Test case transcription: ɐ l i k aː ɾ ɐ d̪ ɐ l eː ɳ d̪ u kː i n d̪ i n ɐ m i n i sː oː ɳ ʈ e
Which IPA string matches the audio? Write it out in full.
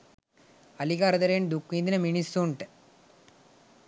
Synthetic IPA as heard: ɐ l i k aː ɾ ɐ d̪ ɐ ɾ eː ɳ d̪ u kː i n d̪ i n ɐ m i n i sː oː ɳ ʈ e